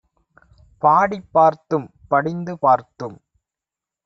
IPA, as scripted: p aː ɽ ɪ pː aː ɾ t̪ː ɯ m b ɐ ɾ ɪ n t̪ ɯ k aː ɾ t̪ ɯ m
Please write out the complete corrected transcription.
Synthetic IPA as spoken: p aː ɽ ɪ pː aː ɾ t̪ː ɯ m p ɐ ɽ ɪ n d̪ ɯ p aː ɾ t̪ ɯ m